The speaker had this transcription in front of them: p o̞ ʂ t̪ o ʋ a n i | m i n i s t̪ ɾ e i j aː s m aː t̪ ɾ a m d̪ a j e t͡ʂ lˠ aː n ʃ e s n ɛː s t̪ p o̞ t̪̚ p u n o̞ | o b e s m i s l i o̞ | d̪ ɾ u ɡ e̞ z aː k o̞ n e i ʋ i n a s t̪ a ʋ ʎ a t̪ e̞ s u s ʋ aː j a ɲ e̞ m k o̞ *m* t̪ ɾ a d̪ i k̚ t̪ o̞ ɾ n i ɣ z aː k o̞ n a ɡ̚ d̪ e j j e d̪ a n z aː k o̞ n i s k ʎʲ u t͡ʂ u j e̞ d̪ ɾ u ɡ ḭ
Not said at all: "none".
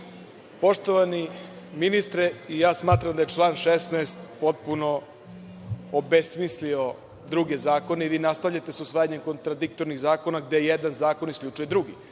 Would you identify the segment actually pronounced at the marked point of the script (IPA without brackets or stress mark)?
n